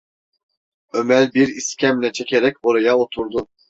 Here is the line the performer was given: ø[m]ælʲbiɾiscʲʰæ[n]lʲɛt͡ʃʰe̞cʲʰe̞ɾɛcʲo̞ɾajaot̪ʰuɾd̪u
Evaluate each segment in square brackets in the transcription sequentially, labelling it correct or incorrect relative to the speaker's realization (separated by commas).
correct, incorrect